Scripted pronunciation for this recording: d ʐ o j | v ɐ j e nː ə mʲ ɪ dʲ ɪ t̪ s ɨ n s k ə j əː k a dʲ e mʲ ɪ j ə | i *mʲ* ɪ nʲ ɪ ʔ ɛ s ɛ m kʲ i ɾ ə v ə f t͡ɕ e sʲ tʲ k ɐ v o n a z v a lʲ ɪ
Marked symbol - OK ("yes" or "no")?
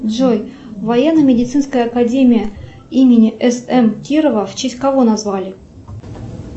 yes